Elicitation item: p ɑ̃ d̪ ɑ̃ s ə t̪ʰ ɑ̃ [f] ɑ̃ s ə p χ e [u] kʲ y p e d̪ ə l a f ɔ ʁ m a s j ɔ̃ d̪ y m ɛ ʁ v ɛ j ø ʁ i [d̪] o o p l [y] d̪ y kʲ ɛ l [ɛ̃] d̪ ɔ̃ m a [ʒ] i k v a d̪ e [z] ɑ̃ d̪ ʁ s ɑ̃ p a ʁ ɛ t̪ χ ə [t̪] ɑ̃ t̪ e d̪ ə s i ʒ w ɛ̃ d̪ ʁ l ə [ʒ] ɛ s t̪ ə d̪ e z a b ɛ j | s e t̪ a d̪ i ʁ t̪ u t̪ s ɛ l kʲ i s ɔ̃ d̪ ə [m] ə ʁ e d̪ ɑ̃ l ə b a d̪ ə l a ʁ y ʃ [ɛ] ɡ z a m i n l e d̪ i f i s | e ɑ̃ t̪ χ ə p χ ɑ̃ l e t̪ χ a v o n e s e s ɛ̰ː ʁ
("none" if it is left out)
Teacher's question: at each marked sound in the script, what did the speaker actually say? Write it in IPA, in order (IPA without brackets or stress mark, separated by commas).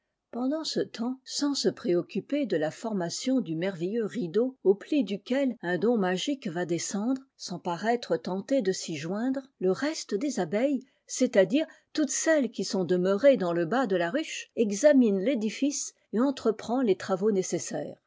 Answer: s, ɔ, d̪, i, ɛ̃, ʒ, s, t̪, ʁ, m, ɛ